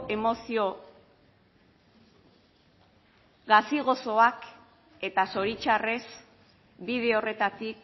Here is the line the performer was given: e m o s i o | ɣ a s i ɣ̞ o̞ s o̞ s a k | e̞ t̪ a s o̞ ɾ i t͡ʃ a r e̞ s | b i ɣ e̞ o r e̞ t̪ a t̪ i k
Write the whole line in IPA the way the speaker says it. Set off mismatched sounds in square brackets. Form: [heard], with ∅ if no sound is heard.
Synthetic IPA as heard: e m o s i o | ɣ a s i ɣ̞ o̞ s o̞ [∅] a k | e̞ t̪ a s o̞ ɾ i t͡ʃ a r e̞ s | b i [ð] e̞ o r e̞ t̪ a t̪ i k